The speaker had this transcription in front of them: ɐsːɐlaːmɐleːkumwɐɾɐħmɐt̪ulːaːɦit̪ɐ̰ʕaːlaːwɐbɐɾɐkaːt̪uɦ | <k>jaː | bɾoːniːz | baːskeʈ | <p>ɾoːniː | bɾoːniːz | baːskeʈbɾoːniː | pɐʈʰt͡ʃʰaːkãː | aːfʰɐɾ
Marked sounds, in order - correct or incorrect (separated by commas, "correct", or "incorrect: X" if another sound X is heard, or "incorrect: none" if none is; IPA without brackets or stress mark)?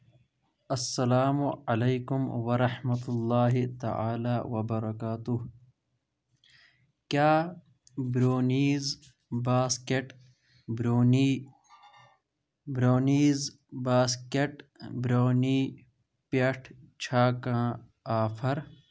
correct, incorrect: b